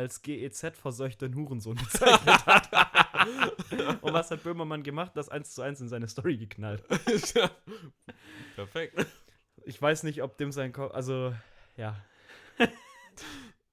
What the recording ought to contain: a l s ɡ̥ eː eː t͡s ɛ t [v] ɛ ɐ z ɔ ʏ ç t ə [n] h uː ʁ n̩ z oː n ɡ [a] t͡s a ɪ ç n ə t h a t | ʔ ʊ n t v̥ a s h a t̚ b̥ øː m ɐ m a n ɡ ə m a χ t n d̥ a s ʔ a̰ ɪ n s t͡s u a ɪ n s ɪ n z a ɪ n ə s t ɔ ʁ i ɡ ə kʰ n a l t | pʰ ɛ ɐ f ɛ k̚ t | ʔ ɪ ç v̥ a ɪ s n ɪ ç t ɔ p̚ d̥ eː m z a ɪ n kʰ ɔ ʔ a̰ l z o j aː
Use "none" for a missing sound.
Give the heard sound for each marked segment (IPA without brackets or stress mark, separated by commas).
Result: f, n, ə